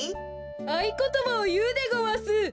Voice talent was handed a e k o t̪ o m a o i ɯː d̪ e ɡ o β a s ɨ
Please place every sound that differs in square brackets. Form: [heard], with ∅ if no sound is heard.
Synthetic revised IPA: a [i] k o t̪ o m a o [j] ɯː d̪ e ɡ o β a s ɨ